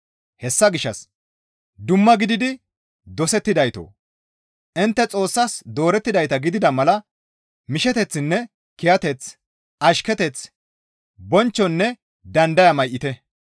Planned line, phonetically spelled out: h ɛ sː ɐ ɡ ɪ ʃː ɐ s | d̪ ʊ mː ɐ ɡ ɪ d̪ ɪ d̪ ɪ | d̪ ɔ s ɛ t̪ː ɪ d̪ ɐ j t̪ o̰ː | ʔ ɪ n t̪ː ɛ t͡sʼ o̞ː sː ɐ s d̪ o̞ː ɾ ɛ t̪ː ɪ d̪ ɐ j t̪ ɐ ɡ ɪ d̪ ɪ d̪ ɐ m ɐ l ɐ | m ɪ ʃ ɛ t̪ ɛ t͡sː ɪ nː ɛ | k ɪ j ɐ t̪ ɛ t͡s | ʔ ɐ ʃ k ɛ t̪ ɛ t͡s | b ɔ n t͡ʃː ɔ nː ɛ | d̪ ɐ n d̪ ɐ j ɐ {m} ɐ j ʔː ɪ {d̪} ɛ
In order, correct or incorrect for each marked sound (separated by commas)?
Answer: correct, incorrect